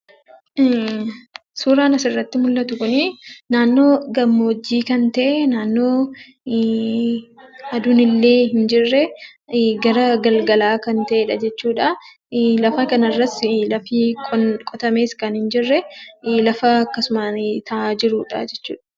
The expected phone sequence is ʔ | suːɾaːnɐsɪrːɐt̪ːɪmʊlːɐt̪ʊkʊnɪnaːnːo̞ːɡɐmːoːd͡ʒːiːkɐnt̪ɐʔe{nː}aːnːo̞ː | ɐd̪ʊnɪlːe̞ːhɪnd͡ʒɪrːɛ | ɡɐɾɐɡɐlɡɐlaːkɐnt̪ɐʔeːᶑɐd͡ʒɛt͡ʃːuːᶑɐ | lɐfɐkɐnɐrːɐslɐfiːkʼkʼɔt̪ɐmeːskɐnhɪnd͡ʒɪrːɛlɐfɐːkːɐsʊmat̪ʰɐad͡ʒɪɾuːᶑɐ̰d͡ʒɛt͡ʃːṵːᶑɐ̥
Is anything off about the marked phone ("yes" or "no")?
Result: yes